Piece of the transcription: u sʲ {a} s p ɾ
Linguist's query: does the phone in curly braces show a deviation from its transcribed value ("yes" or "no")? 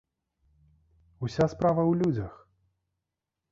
no